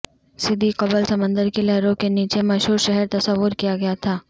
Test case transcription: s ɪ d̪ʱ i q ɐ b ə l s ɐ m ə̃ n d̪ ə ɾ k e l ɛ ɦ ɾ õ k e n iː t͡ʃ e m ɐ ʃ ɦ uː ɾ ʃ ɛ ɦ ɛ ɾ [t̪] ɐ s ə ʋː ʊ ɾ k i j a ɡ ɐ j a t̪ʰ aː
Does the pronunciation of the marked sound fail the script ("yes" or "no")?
no